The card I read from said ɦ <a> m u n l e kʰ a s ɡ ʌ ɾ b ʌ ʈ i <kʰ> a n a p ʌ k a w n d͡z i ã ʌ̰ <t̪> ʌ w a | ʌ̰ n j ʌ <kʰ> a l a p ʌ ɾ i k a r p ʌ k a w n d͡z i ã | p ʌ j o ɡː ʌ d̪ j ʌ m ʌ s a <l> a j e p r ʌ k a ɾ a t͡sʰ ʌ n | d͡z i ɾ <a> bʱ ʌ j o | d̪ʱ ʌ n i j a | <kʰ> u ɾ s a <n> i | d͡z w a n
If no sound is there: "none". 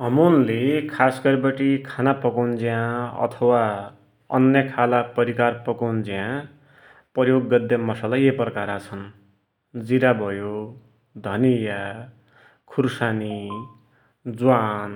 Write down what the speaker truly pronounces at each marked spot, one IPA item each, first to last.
ʌ, kʰ, t̪ʰ, kʰ, l, a, kʰ, n

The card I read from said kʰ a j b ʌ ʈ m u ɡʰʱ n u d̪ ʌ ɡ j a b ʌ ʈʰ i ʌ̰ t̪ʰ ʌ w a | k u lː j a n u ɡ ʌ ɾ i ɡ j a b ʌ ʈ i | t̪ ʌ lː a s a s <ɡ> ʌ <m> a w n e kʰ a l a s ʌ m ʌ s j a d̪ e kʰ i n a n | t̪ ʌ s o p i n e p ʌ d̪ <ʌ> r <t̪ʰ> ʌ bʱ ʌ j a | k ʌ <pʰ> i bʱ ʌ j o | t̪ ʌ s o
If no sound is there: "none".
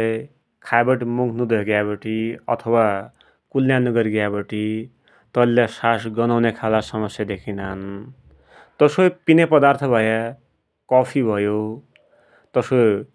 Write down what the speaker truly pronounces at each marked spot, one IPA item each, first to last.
ɡ, n, a, t̪ʰ, pʰ

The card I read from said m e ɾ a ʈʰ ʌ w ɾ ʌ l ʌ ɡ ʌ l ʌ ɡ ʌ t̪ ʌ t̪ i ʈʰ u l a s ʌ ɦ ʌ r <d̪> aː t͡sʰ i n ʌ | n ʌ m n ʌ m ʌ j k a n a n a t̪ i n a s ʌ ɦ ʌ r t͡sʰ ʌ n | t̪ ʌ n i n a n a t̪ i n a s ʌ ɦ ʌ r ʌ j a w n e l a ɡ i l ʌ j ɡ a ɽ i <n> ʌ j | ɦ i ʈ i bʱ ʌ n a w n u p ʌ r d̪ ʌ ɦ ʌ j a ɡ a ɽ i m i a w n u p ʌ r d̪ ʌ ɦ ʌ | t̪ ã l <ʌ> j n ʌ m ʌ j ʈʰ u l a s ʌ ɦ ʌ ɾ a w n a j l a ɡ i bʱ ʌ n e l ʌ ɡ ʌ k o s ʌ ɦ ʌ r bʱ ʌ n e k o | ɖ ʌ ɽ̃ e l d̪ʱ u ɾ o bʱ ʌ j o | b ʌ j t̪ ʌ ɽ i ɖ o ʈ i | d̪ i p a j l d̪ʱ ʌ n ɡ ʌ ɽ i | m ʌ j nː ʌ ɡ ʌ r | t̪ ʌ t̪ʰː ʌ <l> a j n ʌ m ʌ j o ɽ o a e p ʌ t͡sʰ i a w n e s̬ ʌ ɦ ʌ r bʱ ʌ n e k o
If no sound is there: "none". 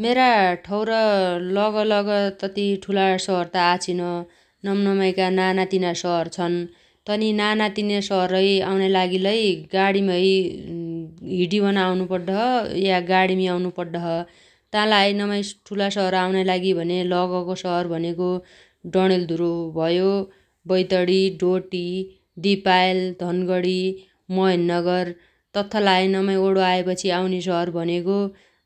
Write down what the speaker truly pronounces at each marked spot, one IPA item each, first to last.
t̪, m, a, l

